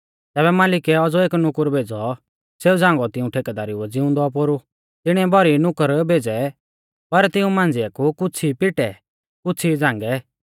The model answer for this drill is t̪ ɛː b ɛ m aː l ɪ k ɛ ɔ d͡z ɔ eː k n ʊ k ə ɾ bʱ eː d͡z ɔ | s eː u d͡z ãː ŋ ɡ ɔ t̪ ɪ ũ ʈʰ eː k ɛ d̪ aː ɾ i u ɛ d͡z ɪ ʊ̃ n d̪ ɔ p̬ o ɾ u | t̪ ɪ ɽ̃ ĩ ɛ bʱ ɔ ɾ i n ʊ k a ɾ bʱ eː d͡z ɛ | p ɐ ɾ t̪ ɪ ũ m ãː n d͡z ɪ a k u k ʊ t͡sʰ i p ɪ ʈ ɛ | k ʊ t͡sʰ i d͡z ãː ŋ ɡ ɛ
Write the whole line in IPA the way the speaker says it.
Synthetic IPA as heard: t̪ ɛː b ɛ m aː l ɪ k ɛ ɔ d͡z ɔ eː k n ʊ k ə ɾ bʱ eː d͡z ɔ | s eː u d͡z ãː ŋ ɡ ɔ t̪ ɪ ũ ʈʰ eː k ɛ d̪ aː ɾ i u ɛ d͡z ɪ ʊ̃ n d̪ ɔ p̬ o ɾ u | t̪ ɪ ɽ̃ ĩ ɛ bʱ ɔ ɾ i n ʊ k ə ɾ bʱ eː d͡z ɛ | p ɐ ɾ t̪ ɪ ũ m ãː n d͡z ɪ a k u k ʊ t͡sʰ i p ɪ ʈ ɛ | k ʊ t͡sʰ i d͡z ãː ŋ ɡ ɛ